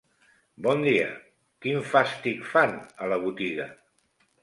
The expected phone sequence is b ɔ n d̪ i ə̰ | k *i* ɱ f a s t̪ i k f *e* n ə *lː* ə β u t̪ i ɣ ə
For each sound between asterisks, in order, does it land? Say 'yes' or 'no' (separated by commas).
yes, no, no